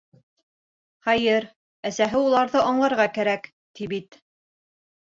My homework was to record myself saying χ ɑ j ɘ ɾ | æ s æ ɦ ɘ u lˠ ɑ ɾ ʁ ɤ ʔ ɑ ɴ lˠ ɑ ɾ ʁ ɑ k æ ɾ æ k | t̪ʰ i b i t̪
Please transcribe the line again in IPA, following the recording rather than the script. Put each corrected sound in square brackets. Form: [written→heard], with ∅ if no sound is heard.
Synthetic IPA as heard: χ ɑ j ɘ ɾ | æ s æ ɦ ɘ u lˠ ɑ ɾ [ʁ→ð] ɤ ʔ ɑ ɴ lˠ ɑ ɾ ʁ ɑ k æ ɾ æ k | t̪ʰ i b i t̪